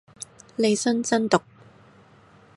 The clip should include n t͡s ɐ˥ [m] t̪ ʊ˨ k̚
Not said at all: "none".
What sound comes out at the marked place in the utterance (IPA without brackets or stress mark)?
n